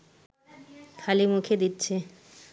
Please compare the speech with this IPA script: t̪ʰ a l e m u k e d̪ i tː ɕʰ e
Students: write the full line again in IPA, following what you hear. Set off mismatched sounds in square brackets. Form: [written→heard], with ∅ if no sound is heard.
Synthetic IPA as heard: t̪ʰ a l [e→i] m u [k→kʰ] e d̪ i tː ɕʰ e